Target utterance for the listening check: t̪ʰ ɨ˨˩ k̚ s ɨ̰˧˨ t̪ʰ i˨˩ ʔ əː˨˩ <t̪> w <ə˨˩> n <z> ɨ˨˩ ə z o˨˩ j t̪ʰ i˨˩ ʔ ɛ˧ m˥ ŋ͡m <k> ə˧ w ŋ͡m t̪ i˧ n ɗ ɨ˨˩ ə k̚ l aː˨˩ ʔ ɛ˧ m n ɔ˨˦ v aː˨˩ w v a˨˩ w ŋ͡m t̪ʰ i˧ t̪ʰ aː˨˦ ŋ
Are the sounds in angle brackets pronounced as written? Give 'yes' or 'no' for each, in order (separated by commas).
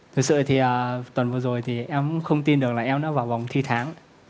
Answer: yes, yes, no, no